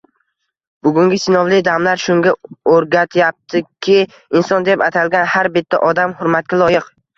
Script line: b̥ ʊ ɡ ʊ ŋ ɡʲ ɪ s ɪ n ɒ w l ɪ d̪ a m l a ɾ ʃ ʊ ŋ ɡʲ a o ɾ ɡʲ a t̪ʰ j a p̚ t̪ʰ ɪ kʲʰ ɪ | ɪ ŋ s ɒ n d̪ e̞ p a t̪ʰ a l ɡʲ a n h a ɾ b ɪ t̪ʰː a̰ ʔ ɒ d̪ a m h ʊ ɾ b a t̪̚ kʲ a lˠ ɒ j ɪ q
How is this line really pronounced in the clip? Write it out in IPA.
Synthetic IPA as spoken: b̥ ʊ ɡ ʊ ŋ ɡʲ ɪ s ɪ n ɒ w l ɪ d̪ a m l a ɾ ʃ ʊ ŋ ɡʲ a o ɾ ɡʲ a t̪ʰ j a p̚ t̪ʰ ɪ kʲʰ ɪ | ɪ n s ɒ n d̪ e̞ p a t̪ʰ a l ɡʲ a n h a ɾ b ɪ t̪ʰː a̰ ʔ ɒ d̪ a m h ʊ ɾ m a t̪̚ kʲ a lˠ ɒ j ɪ q